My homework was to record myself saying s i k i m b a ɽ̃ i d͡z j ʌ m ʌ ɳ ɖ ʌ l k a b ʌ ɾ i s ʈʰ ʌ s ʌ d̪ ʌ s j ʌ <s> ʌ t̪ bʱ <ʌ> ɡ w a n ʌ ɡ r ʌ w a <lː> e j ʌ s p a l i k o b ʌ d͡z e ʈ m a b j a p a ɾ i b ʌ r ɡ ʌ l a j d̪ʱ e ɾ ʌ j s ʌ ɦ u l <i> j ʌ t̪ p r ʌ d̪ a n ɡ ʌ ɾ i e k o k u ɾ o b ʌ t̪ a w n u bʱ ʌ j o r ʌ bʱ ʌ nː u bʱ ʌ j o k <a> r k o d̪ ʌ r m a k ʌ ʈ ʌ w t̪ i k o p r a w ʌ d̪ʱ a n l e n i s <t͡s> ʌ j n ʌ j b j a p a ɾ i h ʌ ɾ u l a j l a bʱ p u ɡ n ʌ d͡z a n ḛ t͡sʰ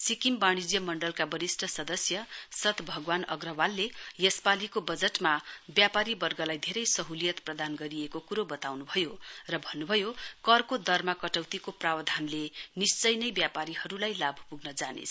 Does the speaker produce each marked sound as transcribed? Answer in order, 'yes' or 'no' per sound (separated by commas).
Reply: yes, yes, yes, yes, no, yes